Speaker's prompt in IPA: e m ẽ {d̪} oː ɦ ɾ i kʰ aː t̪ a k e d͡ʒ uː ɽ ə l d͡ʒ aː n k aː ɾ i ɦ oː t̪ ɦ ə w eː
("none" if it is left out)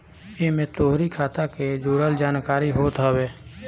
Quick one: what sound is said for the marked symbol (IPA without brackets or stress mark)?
t̪